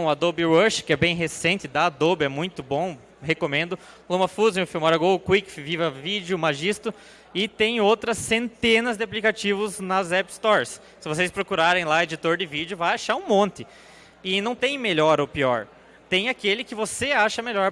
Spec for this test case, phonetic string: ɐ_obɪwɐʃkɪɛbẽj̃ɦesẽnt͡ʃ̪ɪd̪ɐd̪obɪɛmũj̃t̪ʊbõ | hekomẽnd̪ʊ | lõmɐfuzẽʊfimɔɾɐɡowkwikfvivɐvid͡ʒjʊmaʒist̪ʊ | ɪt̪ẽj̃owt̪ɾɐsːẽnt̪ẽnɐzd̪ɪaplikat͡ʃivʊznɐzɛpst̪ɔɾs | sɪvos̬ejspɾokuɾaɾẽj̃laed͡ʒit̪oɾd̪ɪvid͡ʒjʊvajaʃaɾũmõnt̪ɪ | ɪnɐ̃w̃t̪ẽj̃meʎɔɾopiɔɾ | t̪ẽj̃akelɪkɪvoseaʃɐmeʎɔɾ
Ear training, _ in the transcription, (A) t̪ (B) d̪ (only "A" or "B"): B